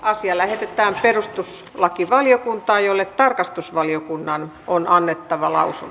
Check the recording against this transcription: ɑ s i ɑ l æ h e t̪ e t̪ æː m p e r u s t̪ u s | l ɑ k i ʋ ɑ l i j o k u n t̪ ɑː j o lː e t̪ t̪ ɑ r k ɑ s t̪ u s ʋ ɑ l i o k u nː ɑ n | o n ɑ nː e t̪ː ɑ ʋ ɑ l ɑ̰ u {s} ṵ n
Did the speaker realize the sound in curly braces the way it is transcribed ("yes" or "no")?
yes